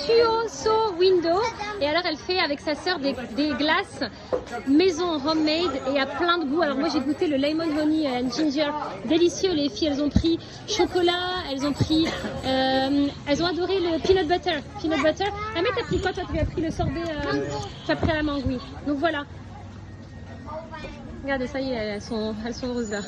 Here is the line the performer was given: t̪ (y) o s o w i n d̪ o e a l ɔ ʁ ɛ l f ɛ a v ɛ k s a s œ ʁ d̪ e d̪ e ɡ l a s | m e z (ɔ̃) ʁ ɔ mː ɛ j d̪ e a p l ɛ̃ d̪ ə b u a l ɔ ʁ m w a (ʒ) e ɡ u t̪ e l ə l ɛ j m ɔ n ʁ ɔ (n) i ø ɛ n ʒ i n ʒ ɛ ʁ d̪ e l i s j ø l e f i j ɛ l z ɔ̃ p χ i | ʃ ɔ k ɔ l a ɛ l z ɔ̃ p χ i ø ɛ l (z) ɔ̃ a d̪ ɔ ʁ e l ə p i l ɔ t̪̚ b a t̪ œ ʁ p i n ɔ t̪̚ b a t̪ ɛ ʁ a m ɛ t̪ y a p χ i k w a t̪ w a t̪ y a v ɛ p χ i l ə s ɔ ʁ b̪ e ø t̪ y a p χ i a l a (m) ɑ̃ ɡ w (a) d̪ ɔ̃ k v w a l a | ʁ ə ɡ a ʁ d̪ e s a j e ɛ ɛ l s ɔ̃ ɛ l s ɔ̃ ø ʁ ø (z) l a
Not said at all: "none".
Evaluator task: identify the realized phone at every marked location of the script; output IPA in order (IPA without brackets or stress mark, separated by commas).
y, ɔ̃, ʒ, n, z, m, i, z